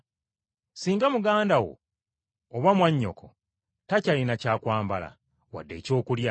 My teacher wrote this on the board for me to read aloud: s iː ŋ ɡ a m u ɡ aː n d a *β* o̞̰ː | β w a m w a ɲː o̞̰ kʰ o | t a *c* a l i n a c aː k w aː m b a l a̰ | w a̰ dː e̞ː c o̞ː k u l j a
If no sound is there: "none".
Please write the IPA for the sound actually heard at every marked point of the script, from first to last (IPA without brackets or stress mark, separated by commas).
w, c